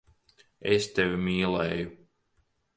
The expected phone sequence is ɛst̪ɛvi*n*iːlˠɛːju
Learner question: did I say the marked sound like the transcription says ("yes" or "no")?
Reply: no